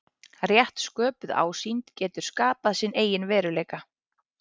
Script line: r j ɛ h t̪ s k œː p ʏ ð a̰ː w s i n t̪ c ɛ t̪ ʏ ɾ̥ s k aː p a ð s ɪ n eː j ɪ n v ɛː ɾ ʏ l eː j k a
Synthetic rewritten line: r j ɛ h t̪ s k œː p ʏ ð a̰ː w s i n t̪ c ɛː t̪ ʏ ɾ̥ s k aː p a ð s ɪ n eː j ɪ n v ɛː ɾ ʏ l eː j k a